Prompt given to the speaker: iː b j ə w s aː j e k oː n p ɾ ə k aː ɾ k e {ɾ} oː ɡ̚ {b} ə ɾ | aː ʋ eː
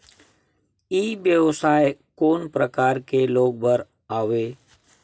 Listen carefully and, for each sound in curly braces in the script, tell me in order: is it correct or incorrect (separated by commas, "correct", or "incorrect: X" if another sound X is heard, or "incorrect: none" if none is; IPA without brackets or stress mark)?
incorrect: l, correct